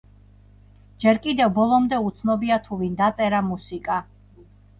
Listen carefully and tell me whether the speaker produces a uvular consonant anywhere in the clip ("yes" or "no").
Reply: no